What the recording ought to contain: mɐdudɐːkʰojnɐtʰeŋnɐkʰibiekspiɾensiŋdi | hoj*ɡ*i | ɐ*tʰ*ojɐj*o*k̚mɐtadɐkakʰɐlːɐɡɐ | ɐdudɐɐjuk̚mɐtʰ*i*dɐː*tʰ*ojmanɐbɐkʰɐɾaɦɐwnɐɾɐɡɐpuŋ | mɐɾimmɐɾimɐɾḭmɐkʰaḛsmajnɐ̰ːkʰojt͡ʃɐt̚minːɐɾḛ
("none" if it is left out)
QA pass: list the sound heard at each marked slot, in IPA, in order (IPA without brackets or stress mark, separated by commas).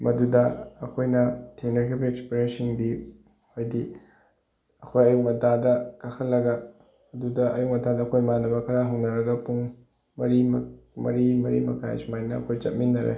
d, kʰ, u, a, kʰ